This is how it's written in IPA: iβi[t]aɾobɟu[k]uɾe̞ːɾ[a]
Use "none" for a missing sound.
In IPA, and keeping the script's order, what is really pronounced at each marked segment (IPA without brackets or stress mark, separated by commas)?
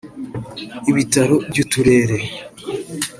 t, t, e